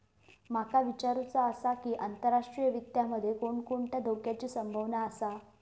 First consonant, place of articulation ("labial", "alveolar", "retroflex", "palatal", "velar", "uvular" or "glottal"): labial